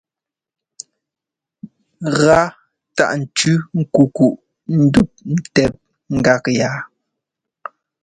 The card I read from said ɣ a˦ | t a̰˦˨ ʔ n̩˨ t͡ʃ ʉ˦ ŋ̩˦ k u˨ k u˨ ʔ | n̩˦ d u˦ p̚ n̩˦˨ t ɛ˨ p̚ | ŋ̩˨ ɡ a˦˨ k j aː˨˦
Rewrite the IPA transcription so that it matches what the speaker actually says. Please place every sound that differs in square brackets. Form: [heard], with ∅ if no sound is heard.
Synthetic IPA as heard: ɣ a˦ | t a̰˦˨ ʔ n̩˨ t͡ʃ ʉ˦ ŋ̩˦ k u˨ k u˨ ʔ | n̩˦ d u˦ p̚ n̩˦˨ t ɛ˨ p̚ | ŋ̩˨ ɡ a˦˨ k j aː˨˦